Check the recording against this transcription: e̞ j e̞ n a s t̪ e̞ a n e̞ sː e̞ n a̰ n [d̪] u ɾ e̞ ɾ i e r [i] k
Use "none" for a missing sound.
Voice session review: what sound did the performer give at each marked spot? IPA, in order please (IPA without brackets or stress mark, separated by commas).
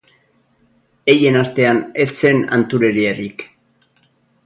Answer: t̪, i